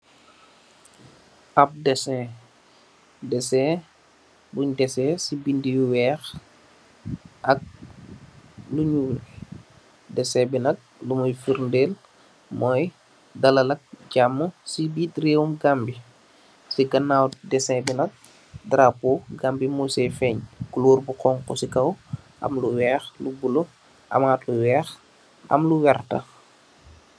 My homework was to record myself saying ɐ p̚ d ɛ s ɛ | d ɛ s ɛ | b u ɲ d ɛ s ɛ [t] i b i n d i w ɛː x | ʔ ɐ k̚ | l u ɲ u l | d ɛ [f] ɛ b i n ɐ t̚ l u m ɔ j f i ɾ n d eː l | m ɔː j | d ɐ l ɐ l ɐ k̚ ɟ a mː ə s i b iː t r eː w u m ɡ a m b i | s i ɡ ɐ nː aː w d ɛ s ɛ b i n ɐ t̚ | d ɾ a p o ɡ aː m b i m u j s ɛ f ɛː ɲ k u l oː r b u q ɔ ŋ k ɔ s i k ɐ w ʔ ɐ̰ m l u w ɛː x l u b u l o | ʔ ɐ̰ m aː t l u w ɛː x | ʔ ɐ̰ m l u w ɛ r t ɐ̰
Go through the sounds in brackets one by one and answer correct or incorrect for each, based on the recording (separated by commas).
incorrect, incorrect